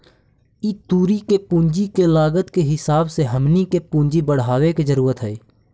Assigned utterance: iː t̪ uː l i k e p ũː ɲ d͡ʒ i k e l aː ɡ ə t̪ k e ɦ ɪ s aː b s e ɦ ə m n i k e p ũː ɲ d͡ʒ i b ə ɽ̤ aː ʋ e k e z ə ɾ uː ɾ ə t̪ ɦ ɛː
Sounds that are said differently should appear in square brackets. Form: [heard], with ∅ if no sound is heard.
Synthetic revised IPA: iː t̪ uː [ɾ] i k e p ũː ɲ d͡ʒ i k e l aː ɡ ə t̪ k e ɦ ɪ s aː b s e ɦ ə m n i k e p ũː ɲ d͡ʒ i b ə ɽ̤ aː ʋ e k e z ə ɾ uː ɾ ə t̪ ɦ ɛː